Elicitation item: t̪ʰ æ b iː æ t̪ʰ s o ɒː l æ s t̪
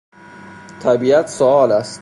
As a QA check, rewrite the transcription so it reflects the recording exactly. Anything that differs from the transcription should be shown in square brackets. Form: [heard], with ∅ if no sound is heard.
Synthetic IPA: t̪ʰ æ b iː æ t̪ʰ s o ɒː l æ s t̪